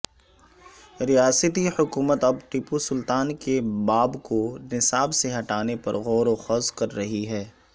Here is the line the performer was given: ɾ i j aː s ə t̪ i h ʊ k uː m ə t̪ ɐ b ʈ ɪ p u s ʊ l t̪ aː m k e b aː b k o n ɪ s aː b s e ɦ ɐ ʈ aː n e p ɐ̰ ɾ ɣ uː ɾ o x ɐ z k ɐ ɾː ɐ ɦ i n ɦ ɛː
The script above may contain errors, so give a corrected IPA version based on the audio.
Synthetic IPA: ɾ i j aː s ə t̪ i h ʊ k uː m ə t̪ ɐ b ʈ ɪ p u s ʊ l t̪ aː n k e b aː b k o n ɪ s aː b s e ɦ ɐ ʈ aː n e p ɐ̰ ɾ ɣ ɔː ɾ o x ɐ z k ɐ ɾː ɐ ɦ i ɦ ɛː